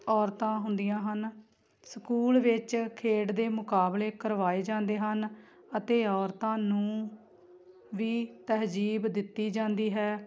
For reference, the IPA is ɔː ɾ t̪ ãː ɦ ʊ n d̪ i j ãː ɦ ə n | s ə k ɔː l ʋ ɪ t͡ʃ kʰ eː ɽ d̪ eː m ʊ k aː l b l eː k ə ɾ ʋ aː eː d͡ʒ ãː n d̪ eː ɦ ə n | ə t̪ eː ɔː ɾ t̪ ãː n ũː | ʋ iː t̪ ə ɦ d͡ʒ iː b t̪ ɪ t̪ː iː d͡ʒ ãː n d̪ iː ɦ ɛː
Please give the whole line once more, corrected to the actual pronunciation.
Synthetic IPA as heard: ɔː ɾ t̪ ãː ɦ ʊ n d̪ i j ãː ɦ ə n | s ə k uː l ʋ ɪ t͡ʃ kʰ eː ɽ d̪ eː m ʊ k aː b l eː k ə ɾ ʋ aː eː d͡ʒ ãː n d̪ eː ɦ ə n | ə t̪ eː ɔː ɾ t̪ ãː n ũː | ʋ iː t̪ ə ɦ d͡ʒ iː b d̪ ɪ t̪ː iː d͡ʒ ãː n d̪ iː ɦ ɛː